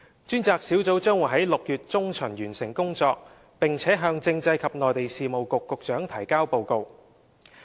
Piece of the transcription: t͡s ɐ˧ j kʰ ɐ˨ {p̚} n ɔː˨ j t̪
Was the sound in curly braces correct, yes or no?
yes